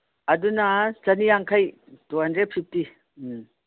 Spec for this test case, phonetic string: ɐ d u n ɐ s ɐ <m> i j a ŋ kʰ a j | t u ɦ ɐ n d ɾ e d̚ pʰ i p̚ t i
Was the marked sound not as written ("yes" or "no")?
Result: yes